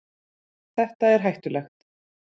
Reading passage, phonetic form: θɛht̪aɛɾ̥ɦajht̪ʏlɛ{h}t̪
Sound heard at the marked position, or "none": x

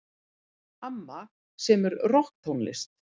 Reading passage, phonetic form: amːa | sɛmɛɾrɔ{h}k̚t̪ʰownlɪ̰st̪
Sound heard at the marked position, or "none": h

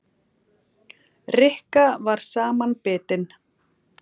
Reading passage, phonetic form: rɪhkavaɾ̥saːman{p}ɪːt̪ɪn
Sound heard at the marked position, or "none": p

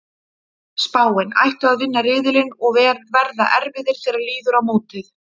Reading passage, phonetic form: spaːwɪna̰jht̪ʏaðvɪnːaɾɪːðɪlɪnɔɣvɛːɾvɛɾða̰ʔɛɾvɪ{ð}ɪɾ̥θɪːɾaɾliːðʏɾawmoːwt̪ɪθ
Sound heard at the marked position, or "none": ð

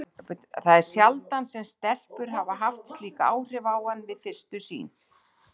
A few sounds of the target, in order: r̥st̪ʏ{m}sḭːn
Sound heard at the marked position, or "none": none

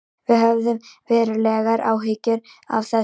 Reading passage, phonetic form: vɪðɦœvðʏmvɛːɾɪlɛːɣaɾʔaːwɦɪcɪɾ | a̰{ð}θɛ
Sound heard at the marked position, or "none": v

